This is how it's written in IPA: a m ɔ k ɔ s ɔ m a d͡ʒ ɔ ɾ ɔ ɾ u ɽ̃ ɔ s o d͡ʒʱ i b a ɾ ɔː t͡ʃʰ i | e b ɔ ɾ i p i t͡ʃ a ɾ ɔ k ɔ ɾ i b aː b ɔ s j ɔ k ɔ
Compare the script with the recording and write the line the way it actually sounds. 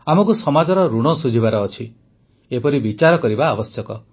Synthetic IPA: a m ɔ k u s ɔ m a d͡ʒ ɔ ɾ ɔ ɾ u ɽ̃ ɔ s u d͡ʒʱ i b a ɾ ɔː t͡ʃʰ i | e p ɔ ɾ i b i t͡ʃ a ɾ ɔ k ɔ ɾ i b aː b ɔ s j ɔ k ɔ